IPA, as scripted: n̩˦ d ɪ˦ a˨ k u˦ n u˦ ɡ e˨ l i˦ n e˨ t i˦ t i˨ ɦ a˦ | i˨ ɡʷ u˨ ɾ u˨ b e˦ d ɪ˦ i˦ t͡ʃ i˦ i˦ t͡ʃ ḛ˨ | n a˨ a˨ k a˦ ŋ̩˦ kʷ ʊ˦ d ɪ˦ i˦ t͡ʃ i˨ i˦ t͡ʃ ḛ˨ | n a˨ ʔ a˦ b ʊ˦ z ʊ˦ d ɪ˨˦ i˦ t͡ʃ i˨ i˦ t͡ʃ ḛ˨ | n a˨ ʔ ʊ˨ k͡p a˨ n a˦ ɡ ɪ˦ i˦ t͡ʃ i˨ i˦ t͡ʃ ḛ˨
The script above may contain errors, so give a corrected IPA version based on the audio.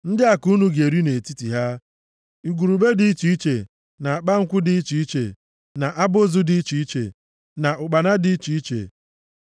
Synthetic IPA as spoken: n̩˦ d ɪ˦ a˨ k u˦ n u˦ ɡ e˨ ɾ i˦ n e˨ t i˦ t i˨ ɦ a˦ | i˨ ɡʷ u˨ ɾ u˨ b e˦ d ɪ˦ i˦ t͡ʃ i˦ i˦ t͡ʃ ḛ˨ | n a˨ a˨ k͡p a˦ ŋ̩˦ kʷ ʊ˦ d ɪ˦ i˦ t͡ʃ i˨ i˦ t͡ʃ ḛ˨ | n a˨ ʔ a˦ b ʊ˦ z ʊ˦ d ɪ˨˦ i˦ t͡ʃ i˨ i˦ t͡ʃ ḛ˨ | n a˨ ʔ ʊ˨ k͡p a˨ n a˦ d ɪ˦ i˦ t͡ʃ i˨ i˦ t͡ʃ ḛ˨